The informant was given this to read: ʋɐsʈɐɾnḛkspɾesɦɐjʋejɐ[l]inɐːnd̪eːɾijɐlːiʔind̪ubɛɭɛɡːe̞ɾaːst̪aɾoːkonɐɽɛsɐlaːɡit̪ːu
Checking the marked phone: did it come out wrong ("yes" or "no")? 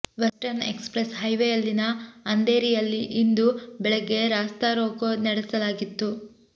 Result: yes